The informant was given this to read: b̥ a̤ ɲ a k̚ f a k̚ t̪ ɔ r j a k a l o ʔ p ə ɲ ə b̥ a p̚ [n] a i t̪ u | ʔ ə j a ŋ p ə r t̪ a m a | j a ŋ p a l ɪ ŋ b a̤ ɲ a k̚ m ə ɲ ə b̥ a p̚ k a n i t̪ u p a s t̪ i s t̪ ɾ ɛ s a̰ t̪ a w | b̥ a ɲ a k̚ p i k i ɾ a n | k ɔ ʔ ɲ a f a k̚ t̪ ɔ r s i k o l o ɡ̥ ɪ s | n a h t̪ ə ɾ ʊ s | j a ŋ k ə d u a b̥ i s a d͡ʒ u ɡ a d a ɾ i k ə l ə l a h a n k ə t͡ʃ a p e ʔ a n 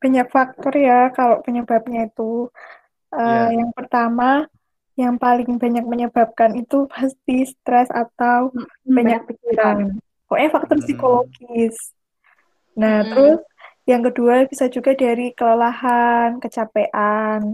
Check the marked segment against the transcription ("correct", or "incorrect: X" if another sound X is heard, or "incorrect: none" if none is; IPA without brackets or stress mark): incorrect: ɲ